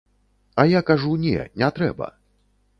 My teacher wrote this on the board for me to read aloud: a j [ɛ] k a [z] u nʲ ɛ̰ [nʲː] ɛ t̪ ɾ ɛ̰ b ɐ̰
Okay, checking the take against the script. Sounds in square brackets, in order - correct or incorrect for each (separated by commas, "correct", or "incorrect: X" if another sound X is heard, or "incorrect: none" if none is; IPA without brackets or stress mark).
incorrect: a, incorrect: ʐ, incorrect: nʲ